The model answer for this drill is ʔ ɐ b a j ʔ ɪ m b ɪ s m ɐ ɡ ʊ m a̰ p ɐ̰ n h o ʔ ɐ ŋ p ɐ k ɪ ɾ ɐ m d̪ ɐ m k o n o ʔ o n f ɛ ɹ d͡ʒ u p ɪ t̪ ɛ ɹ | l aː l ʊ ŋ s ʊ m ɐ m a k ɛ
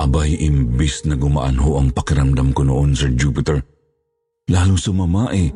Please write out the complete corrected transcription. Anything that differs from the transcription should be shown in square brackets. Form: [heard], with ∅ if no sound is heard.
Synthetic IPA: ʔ ɐ b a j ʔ ɪ m b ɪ s [n] ɐ ɡ ʊ m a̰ [ʔ] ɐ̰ n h o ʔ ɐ ŋ p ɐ k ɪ ɾ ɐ m d̪ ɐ m k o n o ʔ o n [s] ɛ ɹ d͡ʒ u p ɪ t̪ ɛ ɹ | l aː l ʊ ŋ s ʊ m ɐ m a [ʔ] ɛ